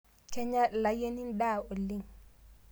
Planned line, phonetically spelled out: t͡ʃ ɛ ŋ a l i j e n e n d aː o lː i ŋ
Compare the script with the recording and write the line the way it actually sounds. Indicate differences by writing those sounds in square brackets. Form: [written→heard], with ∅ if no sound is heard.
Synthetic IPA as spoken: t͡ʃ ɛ [ŋ→ɲ] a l [i→a] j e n [e→i] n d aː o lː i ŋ